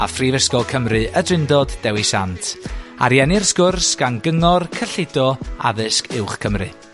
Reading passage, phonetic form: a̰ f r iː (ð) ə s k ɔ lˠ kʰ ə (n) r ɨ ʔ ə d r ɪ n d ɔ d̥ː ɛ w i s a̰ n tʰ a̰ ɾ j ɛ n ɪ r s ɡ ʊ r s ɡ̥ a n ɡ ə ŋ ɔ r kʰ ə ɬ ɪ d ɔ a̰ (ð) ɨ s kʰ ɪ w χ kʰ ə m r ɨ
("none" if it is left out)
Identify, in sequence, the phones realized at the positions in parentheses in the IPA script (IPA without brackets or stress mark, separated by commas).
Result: v, m, ð